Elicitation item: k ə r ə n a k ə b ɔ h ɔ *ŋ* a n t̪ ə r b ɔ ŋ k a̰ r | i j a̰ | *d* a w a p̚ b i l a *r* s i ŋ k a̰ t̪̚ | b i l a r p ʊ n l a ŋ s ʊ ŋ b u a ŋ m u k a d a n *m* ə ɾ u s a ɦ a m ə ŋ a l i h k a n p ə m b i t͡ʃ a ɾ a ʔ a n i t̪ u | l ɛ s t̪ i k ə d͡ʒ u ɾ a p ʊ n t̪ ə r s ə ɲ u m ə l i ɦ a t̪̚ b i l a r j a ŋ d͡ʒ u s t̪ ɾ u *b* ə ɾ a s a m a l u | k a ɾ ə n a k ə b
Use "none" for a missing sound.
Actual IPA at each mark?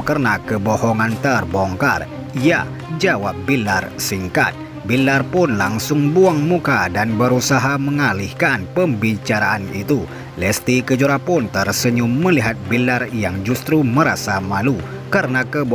ŋ, d͡ʒ, r, b, m

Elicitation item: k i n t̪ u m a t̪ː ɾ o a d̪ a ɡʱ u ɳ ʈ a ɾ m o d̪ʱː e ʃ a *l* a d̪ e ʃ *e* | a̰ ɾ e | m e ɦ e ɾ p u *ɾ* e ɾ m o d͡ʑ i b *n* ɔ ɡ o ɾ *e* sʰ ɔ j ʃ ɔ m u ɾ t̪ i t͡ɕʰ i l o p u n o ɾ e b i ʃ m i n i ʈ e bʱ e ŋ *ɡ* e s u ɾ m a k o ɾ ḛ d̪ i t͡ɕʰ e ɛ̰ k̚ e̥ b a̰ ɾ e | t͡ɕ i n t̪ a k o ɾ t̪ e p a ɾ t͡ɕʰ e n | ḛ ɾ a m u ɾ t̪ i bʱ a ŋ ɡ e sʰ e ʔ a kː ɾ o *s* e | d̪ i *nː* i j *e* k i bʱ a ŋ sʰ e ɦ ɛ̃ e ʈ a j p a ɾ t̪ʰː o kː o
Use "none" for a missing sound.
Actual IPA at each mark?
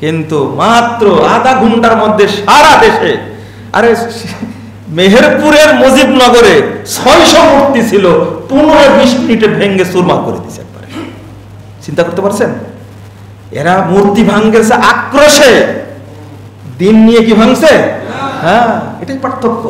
ɾ, e, ɾ, n, e, ɡ, ʃ, nː, e

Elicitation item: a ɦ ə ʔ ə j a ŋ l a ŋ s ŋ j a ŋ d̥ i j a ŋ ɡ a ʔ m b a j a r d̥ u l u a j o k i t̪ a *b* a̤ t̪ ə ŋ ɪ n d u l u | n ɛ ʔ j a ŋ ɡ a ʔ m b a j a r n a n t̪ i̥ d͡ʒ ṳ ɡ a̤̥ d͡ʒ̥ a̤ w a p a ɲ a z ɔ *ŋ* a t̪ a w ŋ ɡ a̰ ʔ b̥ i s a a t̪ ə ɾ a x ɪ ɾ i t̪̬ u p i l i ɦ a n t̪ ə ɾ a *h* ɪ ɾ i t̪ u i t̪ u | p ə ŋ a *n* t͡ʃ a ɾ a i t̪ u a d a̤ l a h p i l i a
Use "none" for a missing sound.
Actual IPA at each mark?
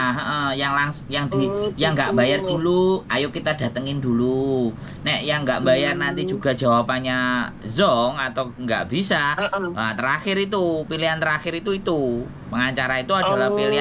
d, ŋ, x, ɲ

